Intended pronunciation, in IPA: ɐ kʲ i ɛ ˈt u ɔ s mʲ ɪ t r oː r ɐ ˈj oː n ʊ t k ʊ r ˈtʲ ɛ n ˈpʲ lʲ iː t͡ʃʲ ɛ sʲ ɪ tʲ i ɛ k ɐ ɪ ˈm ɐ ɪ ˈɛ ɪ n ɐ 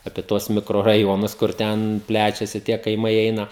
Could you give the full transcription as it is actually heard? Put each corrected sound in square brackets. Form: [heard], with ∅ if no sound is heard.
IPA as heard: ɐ [pʲ] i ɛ ˈt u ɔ s mʲ ɪ [k] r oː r ɐ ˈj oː n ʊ [s] k ʊ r ˈtʲ ɛ n ˈpʲ lʲ [æː] t͡ʃʲ ɛ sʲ ɪ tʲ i ɛ k ɐ ɪ ˈm ɐ ɪ ˈɛ ɪ n ɐ